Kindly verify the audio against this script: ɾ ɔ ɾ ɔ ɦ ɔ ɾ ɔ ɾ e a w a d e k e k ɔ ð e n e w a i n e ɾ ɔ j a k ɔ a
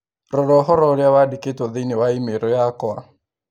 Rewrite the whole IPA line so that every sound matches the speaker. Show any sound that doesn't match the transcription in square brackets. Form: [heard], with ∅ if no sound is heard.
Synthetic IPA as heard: ɾ ɔ ɾ ɔ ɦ ɔ ɾ ɔ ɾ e a w a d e k e [t] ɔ ð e n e w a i [m] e ɾ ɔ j a k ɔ a